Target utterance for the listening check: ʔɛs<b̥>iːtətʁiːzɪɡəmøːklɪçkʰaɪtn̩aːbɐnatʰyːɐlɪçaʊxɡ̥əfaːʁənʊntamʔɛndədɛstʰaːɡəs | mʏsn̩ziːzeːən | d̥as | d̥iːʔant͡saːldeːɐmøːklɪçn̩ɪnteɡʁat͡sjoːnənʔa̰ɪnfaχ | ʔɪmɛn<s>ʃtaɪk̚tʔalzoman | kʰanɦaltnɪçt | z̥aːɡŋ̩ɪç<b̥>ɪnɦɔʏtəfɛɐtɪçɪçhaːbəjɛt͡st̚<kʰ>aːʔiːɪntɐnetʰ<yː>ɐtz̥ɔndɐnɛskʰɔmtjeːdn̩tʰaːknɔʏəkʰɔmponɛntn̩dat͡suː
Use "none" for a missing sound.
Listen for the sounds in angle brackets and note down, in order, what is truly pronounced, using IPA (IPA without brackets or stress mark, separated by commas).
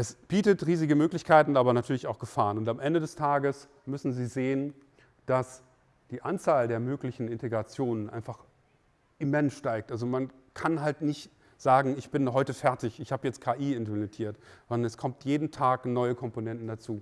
b̥, s, b̥, kʰ, iː